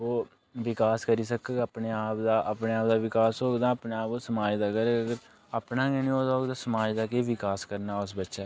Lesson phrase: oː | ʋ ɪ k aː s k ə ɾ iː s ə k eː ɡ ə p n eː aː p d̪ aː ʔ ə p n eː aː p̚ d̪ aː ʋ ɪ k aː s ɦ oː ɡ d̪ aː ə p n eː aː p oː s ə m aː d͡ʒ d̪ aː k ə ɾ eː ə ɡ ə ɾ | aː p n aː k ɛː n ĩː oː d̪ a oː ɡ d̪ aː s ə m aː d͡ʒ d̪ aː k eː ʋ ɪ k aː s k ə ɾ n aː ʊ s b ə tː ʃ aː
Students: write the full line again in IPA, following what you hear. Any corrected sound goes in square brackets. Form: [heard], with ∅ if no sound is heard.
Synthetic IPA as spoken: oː | ʋ ɪ k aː s k ə ɾ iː s ə k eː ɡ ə p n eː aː p d̪ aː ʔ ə p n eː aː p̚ d̪ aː ʋ ɪ k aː s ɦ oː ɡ d̪ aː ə p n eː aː p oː s ə m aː d͡ʒ d̪ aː k ə ɾ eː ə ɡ ə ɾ | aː p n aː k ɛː n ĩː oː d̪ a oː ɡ d̪ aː s ə m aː d͡ʒ d̪ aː k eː ʋ ɪ k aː s k ə ɾ n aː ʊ s b ə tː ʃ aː